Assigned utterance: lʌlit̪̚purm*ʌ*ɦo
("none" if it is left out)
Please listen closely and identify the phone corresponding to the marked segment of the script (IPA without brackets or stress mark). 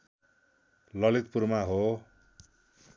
a